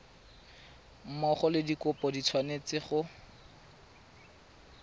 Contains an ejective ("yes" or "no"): no